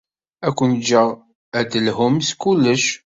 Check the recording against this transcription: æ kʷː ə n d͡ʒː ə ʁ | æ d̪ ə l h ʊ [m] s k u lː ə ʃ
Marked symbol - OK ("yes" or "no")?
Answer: yes